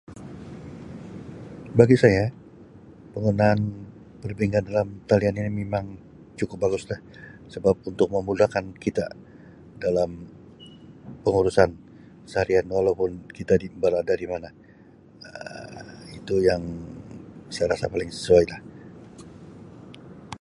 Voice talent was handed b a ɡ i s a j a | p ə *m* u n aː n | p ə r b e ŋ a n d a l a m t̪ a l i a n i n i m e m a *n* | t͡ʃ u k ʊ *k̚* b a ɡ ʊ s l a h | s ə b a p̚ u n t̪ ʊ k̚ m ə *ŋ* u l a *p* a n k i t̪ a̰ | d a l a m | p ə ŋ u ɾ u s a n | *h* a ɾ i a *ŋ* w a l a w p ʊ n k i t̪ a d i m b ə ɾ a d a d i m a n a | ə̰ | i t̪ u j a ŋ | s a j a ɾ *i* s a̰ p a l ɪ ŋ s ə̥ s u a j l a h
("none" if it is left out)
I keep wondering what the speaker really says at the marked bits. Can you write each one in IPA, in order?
ŋ, ŋ, p̚, m, k, s, n, a

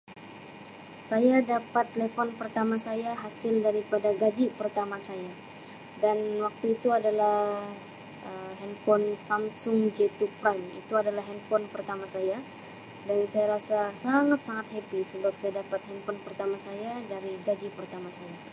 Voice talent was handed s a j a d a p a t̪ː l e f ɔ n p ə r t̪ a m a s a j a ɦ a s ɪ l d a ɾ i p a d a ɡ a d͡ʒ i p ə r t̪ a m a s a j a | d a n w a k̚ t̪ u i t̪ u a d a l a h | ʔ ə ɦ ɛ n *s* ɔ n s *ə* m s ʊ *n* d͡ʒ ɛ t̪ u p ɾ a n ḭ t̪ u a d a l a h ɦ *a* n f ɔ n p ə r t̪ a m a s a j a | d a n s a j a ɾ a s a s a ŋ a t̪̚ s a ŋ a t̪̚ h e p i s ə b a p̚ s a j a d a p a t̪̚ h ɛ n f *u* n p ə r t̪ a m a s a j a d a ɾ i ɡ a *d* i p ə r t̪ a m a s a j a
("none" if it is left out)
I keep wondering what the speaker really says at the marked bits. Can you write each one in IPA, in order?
f, a, ŋ, ɛ, ɔ, d͡ʒ

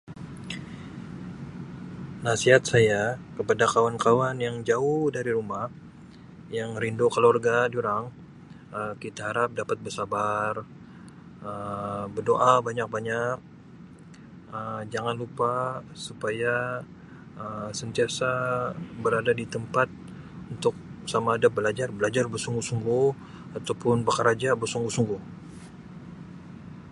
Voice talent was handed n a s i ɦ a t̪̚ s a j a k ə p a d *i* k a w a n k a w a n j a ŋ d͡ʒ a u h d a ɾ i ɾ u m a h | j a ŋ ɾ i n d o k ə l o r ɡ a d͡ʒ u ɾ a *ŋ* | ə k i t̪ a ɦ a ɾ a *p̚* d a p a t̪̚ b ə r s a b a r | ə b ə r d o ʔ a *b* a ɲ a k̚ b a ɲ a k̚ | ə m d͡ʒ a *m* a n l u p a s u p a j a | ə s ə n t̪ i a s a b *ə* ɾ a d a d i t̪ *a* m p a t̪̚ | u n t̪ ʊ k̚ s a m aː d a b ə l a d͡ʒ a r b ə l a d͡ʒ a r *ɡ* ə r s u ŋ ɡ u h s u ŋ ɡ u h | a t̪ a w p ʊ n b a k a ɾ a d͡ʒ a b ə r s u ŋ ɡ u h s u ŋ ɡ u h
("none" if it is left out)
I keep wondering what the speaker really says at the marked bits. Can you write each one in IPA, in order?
a, ŋ, p̚, b, ŋ, ə, ə, b

